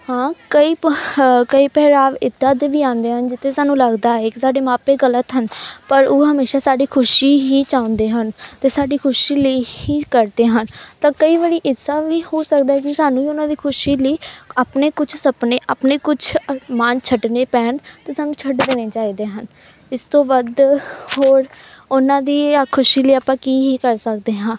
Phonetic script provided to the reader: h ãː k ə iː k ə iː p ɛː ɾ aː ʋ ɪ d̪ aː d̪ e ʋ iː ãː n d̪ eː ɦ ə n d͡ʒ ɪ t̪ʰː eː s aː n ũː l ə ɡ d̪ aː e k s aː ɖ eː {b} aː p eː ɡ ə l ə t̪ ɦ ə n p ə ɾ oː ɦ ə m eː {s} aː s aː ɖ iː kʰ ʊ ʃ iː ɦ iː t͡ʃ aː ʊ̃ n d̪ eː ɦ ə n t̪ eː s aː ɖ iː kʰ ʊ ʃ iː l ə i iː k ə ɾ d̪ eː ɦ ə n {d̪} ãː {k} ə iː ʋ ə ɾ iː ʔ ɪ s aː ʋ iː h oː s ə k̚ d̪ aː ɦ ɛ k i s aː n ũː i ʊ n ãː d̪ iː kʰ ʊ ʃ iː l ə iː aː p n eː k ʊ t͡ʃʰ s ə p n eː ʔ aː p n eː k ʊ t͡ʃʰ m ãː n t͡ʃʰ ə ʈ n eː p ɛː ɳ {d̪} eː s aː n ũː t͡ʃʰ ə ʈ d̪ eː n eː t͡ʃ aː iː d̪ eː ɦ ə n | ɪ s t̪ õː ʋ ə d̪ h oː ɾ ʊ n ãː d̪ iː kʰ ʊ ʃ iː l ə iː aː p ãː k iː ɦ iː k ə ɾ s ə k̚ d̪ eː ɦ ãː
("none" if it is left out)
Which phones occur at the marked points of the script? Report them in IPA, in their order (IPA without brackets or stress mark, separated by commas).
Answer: m, ʃ, t̪, k, t̪